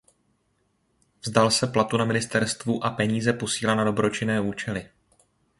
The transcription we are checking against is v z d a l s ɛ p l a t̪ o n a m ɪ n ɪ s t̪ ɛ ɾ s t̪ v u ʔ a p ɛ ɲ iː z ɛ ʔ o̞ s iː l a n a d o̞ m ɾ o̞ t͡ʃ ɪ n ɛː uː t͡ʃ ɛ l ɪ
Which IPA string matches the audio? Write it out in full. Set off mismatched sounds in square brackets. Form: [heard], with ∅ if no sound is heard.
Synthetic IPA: v z d a l s ɛ p l a t̪ [u] n a m ɪ n ɪ s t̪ ɛ ɾ s t̪ v u ʔ a p ɛ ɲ iː z ɛ [p] o̞ s iː l a n a d o̞ [b] ɾ o̞ t͡ʃ ɪ n ɛː uː t͡ʃ ɛ l ɪ